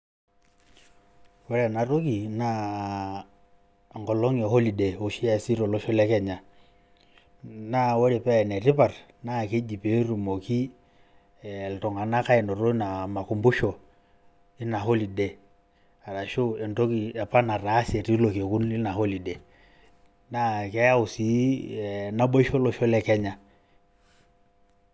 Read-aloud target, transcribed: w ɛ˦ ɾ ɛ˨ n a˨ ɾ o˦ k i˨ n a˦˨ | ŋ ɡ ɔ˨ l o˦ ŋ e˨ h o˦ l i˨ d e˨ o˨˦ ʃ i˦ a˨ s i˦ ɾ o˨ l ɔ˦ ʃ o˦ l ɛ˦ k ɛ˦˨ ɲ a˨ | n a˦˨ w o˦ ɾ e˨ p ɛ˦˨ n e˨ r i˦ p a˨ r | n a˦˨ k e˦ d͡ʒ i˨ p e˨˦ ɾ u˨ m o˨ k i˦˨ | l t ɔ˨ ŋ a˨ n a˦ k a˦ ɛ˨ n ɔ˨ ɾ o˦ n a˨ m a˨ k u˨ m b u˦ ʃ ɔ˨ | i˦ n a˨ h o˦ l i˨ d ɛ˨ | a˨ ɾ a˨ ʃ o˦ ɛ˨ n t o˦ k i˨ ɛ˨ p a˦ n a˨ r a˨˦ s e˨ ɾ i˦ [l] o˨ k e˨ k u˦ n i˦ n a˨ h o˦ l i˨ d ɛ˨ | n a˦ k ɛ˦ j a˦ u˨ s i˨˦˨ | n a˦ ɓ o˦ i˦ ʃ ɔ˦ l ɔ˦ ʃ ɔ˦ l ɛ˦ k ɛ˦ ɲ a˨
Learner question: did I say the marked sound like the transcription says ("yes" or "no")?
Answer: yes